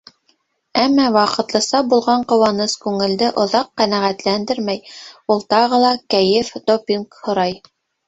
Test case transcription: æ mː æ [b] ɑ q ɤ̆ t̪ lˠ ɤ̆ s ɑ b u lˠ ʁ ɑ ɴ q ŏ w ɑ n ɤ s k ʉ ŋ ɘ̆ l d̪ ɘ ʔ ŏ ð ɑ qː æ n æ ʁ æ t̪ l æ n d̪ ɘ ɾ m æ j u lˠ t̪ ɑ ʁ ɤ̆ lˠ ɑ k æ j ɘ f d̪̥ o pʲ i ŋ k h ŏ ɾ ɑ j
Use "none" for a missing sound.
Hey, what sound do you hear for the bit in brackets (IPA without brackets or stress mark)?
w